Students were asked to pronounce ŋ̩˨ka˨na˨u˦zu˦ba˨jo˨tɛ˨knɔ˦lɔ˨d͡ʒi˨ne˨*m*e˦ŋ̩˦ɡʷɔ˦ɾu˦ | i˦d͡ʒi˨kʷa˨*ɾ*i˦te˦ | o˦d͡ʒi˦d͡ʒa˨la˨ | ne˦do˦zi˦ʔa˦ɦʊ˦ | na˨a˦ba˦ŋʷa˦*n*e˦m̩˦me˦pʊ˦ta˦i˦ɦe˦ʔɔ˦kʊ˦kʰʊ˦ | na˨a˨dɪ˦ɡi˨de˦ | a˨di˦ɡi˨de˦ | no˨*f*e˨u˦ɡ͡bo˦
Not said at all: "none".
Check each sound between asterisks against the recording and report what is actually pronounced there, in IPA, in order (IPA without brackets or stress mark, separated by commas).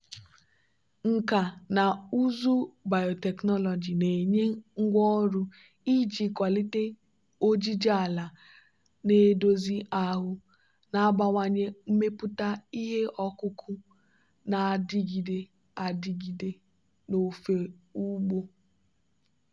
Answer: ɲ, l, ɲ, f